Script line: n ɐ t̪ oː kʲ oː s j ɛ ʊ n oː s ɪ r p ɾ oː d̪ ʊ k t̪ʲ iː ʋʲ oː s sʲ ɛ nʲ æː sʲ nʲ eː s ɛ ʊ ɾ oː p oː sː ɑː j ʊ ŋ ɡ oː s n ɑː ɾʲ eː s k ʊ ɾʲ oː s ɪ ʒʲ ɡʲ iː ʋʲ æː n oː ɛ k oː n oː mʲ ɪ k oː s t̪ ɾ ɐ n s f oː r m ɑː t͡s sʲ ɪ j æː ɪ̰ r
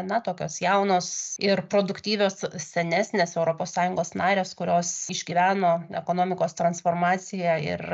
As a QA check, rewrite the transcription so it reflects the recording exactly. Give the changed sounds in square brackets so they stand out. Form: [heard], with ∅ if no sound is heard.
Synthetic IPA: n ɐ t̪ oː kʲ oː s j ɛ ʊ n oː s ɪ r p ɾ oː d̪ ʊ k t̪ʲ iː ʋʲ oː s sʲ ɛ nʲ æː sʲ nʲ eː s ɛ ʊ ɾ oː p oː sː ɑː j ʊ ŋ ɡ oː s n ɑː ɾʲ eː s k ʊ ɾʲ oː s ɪ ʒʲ ɡʲ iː ʋʲ æː n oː ɛ k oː n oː mʲ ɪ k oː s t̪ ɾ ɐ n s f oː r m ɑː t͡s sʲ ɪ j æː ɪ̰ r

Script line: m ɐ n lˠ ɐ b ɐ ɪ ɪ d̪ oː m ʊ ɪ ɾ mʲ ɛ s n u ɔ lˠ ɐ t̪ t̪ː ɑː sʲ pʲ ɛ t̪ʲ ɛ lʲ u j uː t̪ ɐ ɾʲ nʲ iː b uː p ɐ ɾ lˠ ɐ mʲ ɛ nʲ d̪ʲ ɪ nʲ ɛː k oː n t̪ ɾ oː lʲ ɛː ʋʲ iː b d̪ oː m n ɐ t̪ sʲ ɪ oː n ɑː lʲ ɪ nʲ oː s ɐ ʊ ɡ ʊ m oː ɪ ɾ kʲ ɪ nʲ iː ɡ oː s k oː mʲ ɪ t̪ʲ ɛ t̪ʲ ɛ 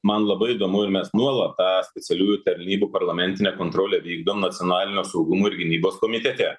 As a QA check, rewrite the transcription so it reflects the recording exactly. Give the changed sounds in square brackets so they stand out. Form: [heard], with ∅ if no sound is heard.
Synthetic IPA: m ɐ n lˠ ɐ b ɐ ɪ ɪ d̪ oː m ʊ ɪ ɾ mʲ ɛ s n u ɔ lˠ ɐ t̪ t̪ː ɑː sʲ pʲ ɛ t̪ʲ ɛ lʲ [uː] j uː t̪ ɐ ɾʲ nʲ iː b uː p ɐ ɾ lˠ ɐ mʲ ɛ nʲ [t̪ʲ] ɪ nʲ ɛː k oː n t̪ ɾ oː lʲ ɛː ʋʲ iː [ɡ] d̪ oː m n ɐ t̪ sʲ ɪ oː n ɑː lʲ ɪ nʲ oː s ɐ ʊ ɡ ʊ m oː ɪ ɾ [ɡʲ] ɪ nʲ iː [b] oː s k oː mʲ ɪ t̪ʲ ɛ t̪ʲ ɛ

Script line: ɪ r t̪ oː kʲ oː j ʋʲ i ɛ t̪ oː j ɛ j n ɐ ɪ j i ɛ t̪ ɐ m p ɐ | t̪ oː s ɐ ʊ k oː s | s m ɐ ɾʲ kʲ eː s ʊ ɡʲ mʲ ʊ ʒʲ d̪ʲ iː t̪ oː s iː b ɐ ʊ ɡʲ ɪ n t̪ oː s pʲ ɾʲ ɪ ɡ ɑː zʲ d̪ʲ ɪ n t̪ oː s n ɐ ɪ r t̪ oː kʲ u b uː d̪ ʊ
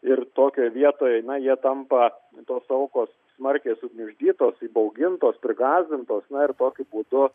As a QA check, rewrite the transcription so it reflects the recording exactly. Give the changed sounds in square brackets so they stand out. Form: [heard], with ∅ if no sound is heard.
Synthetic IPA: ɪ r t̪ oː kʲ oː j ʋʲ i ɛ t̪ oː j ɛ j n ɐ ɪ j i ɛ t̪ ɐ m p ɐ | t̪ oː s ɐ ʊ k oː s | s m ɐ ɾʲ kʲ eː s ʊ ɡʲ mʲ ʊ ʒʲ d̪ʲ iː t̪ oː s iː b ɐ ʊ ɡʲ ɪ n t̪ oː s pʲ ɾʲ ɪ ɡ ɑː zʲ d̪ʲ ɪ n t̪ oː s n ɐ ɪ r t̪ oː kʲ [ʊ] b uː d̪ ʊ

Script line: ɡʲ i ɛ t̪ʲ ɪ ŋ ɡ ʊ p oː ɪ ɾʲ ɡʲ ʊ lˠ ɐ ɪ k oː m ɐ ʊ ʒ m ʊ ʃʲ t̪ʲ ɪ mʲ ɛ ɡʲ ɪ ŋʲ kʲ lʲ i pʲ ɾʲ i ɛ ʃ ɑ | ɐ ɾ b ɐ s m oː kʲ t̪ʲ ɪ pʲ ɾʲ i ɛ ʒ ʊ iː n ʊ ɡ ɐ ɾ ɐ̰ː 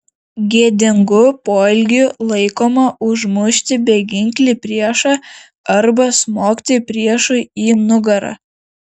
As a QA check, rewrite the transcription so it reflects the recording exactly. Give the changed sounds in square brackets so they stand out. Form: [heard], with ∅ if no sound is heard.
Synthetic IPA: ɡʲ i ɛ [d̪ʲ] ɪ ŋ ɡ ʊ p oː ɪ [lʲ] ɡʲ ʊ lˠ ɐ ɪ k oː m ɐ ʊ ʒ m ʊ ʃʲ t̪ʲ ɪ [bʲ] ɛ ɡʲ ɪ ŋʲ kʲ lʲ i pʲ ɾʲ i ɛ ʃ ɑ | ɐ ɾ b ɐ s m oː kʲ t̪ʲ ɪ pʲ ɾʲ i ɛ [ʃ] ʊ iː n ʊ ɡ ɐ ɾ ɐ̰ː

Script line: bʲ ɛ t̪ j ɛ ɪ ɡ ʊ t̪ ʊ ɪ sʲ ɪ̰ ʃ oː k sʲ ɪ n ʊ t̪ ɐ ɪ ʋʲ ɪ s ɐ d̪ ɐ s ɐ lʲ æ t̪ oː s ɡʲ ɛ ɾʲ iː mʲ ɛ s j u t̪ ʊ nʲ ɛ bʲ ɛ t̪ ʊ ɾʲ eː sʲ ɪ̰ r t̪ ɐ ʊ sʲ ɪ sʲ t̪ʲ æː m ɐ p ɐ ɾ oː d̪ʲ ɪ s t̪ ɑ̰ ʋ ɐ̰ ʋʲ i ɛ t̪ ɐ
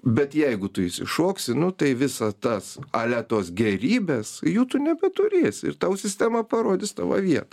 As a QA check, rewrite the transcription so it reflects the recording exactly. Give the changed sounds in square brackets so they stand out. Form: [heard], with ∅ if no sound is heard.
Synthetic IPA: bʲ ɛ t̪ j ɛ ɪ ɡ ʊ t̪ ʊ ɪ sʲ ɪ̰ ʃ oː k sʲ ɪ n ʊ t̪ ɐ ɪ ʋʲ ɪ s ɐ [t̪] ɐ s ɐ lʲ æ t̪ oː s ɡʲ ɛ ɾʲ iː [bʲ] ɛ s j [uː] t̪ ʊ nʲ ɛ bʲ ɛ t̪ ʊ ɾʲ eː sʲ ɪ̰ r t̪ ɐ ʊ sʲ ɪ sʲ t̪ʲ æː m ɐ p ɐ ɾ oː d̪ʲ ɪ s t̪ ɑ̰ ʋ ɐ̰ ʋʲ i ɛ t̪ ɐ

